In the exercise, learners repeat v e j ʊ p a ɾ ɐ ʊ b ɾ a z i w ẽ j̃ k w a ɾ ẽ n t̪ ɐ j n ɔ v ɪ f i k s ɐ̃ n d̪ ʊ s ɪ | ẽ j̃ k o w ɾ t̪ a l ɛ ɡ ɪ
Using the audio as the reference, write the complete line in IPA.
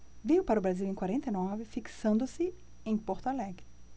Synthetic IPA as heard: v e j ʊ p a ɾ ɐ ʊ b ɾ a z i w ẽ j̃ k w a ɾ ẽ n t̪ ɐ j n ɔ v ɪ f i k s ɐ̃ n d̪ ʊ s ɪ | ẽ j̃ p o ɾ t̪ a l ɛ ɡ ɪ